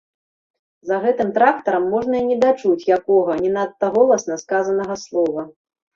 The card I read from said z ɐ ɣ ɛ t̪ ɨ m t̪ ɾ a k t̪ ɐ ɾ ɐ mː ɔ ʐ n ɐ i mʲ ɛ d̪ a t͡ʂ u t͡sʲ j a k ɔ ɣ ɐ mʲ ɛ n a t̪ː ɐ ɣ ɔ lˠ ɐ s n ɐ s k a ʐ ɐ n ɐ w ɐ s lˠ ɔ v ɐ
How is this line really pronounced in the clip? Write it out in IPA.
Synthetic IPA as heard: z ɐ ɣ ɛ t̪ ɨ m t̪ ɾ a k t̪ ɐ ɾ ɐ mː ɔ ʐ n ɐ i nʲ ɛ d̪ a t͡ʂ u t͡sʲ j a k ɔ ɣ ɐ nʲ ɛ n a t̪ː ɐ ɣ ɔ lˠ ɐ s n ɐ s k a z ɐ n ɐ ɣ ɐ s lˠ ɔ v ɐ